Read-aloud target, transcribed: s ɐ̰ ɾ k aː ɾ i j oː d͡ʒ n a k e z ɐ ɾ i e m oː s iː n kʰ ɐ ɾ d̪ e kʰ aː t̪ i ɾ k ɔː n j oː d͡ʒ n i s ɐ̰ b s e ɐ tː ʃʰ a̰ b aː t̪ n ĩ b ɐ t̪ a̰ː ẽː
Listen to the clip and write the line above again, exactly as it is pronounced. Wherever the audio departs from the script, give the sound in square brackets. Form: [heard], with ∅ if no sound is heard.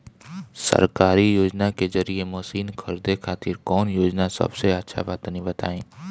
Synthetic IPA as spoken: s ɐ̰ ɾ k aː ɾ i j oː d͡ʒ n a k e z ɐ ɾ i e m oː s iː n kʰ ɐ ɾ d̪ e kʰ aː t̪ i ɾ k ɔː n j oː d͡ʒ n [a] s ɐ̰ b s e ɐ tː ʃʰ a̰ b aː t̪ n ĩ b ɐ t̪ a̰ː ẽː